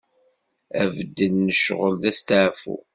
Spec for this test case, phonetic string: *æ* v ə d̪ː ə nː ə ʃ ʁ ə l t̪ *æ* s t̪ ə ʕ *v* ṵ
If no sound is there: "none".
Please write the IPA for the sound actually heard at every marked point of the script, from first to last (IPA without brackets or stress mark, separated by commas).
æ, æ, f